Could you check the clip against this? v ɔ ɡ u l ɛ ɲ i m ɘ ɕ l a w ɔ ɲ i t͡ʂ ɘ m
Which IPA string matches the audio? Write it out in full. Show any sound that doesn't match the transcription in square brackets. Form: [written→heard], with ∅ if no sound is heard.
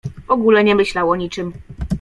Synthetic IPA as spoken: v ɔ ɡ u l ɛ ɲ [i→ɛ] m ɘ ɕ l a w ɔ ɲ i t͡ʂ ɘ m